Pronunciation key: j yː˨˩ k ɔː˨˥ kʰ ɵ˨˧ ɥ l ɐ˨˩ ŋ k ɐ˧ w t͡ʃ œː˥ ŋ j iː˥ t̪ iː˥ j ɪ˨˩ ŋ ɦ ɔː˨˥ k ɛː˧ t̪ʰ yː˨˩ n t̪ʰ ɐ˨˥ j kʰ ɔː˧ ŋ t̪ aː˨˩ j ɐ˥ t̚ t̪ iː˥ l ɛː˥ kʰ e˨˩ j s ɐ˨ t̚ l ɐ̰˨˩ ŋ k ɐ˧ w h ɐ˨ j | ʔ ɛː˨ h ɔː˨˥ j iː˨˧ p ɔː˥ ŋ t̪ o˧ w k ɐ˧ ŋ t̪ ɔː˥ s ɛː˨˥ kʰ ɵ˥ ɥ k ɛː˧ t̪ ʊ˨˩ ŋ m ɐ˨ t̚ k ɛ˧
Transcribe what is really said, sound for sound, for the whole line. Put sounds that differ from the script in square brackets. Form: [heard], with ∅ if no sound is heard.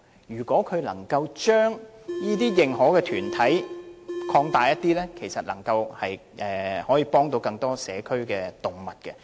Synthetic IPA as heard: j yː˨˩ k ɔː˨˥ kʰ ɵ˨˧ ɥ l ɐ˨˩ ŋ k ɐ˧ w t͡ʃ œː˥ ŋ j iː˥ t̪ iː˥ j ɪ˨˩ ŋ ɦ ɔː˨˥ k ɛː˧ t̪ʰ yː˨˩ n t̪ʰ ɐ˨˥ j kʰ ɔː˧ ŋ t̪ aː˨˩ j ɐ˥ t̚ t̪ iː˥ l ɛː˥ kʰ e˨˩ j s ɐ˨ t̚ l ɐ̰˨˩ ŋ k ɐ˧ w h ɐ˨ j | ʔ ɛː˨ h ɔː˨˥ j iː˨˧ p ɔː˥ ŋ t̪ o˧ w k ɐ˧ ŋ t̪ ɔː˥ s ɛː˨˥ kʰ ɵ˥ ɥ k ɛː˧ t̪ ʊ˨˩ ŋ m ɐ˨ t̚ k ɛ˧